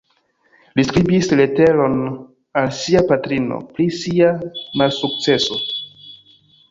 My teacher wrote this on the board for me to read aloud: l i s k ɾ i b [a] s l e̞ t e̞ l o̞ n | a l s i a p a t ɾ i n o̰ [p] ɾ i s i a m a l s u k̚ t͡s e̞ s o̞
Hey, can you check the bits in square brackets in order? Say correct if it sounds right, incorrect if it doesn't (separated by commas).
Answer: incorrect, correct